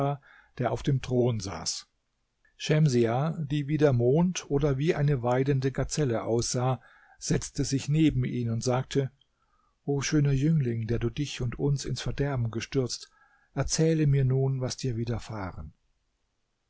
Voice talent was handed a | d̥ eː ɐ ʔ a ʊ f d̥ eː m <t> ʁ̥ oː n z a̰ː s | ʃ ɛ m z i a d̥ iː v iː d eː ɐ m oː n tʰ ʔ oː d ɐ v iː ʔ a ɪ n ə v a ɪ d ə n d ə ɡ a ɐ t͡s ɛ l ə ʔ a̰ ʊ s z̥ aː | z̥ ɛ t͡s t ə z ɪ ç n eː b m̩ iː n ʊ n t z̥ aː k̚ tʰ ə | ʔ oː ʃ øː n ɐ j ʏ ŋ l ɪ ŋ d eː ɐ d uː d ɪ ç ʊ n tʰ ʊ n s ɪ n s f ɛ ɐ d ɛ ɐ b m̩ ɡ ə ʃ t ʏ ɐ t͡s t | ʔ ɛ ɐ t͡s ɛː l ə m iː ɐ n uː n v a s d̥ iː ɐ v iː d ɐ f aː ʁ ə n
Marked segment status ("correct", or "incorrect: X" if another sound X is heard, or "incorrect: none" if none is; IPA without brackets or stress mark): correct